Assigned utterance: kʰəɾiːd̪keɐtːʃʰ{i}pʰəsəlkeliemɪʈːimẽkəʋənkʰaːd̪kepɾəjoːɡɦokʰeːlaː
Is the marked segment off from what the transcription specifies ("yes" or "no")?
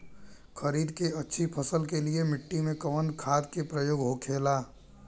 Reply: no